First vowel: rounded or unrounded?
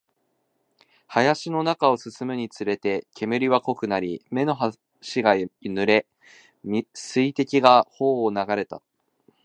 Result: unrounded